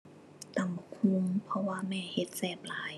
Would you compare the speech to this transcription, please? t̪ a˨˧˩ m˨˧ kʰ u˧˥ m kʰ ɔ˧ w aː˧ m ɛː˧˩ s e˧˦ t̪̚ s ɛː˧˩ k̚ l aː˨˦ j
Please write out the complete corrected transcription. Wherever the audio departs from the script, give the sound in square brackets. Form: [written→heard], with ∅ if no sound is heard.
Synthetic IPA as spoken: t̪ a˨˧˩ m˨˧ kʰ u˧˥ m [kʰ→pʰ] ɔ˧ w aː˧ m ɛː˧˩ [s→h] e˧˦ t̪̚ s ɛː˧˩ [k̚→p̚] l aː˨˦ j